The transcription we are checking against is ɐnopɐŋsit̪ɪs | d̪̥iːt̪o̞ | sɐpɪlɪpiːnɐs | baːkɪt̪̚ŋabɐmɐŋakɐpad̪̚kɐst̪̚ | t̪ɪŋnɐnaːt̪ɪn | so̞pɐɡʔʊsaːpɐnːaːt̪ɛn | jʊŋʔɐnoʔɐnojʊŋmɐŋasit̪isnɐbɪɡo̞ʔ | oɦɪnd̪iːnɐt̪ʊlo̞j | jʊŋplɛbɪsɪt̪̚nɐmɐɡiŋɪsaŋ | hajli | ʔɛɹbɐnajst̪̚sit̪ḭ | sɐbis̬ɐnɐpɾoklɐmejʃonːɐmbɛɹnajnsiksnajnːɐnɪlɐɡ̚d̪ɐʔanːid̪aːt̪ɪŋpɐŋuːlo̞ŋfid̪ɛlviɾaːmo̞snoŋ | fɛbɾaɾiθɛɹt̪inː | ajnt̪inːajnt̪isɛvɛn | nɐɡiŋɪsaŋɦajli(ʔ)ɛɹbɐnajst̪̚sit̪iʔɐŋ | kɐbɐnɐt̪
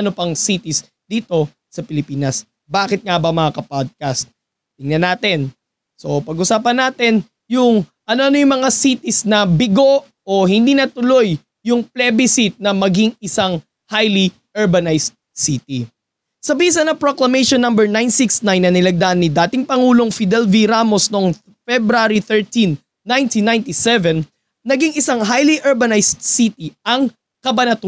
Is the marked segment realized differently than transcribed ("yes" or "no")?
no